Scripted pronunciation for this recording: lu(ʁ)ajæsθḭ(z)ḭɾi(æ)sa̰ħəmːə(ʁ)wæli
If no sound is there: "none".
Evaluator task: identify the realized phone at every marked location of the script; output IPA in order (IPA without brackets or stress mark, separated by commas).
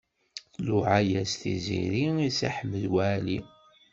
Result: ʕ, z, i, ð